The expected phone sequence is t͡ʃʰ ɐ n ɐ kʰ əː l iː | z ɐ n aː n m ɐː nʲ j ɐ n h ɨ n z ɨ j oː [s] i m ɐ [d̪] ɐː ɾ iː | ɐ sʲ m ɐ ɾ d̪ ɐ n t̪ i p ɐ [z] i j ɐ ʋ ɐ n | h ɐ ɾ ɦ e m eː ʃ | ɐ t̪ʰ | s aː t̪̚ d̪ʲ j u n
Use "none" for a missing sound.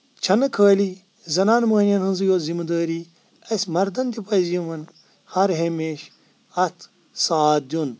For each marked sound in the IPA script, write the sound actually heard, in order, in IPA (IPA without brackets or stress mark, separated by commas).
z, d̪, z